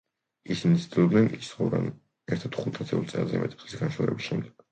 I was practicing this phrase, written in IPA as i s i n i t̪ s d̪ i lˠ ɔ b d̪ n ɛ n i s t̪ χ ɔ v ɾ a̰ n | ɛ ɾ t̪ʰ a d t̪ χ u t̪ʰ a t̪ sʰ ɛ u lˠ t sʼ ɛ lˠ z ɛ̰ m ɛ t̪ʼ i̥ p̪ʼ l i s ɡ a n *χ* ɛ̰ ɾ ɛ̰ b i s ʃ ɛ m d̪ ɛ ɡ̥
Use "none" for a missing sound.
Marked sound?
ʃ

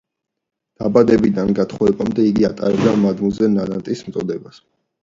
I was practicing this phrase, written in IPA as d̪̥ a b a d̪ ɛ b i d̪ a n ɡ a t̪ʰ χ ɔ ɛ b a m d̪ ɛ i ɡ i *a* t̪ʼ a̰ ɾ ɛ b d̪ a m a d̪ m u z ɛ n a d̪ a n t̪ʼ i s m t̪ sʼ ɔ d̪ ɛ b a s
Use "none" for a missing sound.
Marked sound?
a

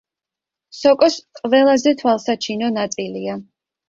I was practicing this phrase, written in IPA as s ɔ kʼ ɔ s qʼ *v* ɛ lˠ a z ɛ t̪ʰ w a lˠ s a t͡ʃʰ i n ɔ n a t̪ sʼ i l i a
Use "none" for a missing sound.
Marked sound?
v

